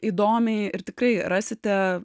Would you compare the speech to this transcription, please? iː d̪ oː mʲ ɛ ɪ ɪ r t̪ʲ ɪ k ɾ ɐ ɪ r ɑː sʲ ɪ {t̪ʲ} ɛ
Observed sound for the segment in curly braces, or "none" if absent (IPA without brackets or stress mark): t̪ʲ